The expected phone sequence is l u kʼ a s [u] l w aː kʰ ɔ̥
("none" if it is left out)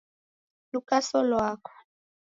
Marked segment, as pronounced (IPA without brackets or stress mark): ɔ